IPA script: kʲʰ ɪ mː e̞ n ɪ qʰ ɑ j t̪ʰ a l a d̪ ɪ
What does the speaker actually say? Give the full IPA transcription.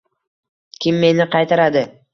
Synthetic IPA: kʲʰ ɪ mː e̞ n ɪ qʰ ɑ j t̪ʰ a ɾ a d̪ ɪ